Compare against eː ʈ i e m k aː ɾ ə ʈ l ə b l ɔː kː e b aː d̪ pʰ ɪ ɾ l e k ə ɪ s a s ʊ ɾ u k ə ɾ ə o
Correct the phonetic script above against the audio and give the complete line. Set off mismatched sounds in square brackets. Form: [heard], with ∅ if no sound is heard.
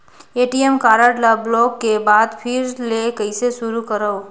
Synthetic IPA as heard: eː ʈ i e m k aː ɾ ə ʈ l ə b l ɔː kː e b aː d̪ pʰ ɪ ɾ l e k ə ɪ s [e] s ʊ ɾ u k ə ɾ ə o